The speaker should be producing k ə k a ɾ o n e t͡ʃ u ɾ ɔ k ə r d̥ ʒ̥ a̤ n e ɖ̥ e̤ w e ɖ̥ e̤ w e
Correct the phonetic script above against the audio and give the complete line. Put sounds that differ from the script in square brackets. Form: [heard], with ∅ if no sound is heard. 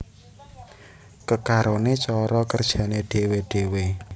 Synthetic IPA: k ə k a ɾ o n e t͡ʃ [ɔ] ɾ ɔ k ə r d̥ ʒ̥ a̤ n e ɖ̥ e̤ w e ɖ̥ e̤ w e